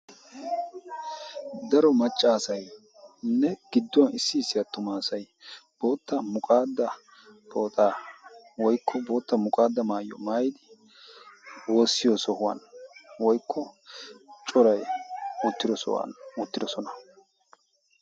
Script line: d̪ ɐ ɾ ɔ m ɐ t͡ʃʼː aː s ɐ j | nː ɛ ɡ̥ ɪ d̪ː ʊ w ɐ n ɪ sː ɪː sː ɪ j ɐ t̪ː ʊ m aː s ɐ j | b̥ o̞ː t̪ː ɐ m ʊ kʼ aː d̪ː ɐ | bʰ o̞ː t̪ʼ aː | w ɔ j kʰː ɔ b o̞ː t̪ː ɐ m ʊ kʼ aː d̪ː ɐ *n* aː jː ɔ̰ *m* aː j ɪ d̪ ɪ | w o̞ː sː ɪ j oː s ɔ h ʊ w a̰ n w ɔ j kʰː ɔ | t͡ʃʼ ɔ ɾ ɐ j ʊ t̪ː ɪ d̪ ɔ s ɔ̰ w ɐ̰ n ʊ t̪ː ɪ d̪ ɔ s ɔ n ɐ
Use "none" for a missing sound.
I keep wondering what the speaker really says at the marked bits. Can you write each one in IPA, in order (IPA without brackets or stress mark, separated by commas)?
m, m